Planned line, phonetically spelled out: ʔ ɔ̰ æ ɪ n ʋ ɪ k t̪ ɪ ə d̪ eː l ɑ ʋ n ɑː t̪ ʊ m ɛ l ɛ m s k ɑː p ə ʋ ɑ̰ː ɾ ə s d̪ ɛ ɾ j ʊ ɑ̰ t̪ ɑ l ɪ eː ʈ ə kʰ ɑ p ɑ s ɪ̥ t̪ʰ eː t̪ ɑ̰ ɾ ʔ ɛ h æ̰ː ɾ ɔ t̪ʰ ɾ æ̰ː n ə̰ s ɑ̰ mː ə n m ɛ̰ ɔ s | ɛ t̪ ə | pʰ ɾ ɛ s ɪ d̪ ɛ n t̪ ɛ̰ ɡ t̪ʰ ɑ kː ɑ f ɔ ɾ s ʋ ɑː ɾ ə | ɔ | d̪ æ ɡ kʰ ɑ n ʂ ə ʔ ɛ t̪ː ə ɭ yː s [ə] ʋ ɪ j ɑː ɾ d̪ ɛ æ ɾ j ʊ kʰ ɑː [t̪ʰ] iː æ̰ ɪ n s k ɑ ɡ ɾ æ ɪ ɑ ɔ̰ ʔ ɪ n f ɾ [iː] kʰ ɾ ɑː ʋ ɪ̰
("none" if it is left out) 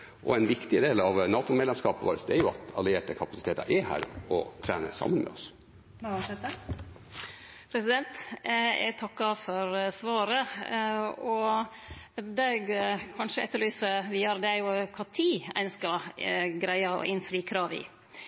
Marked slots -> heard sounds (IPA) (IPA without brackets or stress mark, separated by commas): ə, t̪ʰ, iː